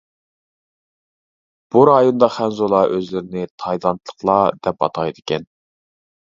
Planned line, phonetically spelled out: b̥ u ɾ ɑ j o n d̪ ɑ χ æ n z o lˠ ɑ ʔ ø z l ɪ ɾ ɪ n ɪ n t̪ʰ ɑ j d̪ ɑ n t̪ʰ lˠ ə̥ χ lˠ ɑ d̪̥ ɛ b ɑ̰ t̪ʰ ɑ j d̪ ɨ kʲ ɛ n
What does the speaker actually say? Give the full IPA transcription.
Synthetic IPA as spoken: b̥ u ɾ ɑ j o n d̪ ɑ χ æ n z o lˠ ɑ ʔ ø z l ɪ ɾ ɪ n ɪ t̪ʰ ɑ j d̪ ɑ n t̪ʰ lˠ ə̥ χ lˠ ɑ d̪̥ ɛ p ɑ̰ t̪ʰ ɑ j d̪ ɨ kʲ ɛ n